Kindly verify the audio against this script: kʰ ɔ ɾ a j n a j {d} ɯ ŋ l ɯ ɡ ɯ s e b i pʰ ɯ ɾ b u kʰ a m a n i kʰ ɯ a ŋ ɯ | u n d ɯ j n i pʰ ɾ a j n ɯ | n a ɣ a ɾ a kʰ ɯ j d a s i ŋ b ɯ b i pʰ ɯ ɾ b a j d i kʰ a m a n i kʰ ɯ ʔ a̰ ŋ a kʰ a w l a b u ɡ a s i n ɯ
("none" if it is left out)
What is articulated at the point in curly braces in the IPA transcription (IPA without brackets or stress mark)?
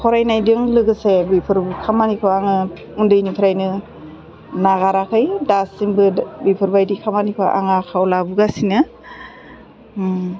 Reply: d